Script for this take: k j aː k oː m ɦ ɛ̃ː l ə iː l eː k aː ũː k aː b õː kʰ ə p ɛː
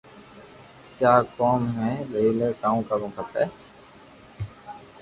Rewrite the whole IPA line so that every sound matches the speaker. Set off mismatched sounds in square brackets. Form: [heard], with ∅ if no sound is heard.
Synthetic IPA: k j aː k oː m ɦ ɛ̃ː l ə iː l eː k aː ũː k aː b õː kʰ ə p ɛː